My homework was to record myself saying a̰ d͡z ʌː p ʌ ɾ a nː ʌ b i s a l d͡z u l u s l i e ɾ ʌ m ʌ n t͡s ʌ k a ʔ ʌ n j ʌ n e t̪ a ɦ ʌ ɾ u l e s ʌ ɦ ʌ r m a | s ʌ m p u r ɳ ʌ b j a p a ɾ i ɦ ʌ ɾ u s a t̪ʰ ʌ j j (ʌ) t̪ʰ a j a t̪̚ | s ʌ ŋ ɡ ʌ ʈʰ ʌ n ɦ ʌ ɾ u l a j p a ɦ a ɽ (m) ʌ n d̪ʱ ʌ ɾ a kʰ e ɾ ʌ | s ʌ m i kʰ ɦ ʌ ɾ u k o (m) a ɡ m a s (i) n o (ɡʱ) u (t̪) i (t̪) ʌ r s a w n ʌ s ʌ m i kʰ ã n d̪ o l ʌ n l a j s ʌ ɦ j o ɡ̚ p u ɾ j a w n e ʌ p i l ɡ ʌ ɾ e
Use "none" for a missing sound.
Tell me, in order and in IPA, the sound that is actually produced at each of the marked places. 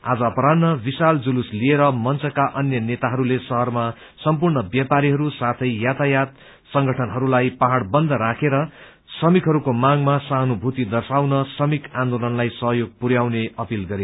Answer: a, b, m, a, bʱ, t̪, d̪

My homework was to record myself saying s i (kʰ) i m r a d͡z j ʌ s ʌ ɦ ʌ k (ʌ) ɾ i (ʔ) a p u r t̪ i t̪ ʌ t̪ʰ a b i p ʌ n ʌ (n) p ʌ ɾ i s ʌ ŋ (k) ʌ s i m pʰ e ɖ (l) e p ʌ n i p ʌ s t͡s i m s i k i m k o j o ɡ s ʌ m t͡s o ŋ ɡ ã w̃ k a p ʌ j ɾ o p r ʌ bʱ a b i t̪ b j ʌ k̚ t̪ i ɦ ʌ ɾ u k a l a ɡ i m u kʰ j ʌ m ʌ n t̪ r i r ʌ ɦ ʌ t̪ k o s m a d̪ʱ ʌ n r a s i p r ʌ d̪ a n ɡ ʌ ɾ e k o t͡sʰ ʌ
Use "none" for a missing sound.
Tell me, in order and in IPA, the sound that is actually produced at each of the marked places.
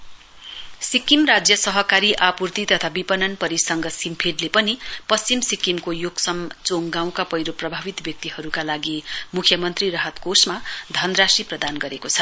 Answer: k, a, ʔ, n, ɡ, l

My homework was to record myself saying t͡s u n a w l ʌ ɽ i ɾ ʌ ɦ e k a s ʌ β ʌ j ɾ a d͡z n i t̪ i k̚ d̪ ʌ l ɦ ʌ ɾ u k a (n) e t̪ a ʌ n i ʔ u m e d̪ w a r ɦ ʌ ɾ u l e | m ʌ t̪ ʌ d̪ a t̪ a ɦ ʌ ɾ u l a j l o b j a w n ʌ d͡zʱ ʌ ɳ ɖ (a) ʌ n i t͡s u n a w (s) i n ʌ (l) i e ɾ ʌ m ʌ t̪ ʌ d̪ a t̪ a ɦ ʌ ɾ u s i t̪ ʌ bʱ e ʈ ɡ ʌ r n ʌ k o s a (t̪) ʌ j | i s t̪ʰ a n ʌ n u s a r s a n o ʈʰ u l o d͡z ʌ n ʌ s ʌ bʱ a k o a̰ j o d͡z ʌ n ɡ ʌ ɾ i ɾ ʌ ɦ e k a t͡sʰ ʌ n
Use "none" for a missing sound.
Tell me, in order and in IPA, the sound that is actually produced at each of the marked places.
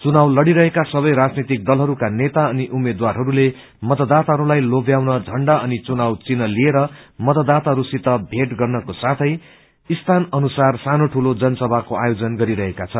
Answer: n, a, t͡s, l, t̪ʰ

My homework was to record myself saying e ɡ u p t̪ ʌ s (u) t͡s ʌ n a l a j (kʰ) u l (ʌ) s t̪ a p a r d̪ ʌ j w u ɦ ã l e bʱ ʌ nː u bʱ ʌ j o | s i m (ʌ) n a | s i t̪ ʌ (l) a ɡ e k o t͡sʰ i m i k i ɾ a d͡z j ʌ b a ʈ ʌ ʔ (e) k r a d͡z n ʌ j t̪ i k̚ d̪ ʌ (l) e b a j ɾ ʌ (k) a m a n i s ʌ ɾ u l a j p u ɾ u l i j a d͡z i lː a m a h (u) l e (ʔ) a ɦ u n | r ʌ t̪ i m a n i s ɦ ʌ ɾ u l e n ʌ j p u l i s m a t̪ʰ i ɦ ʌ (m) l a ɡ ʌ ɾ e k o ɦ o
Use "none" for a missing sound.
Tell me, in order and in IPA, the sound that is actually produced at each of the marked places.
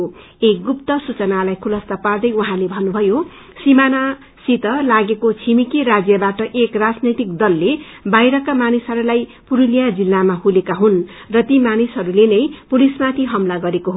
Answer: u, kʰ, ʌ, a, l, e, lː, k, u, k, m

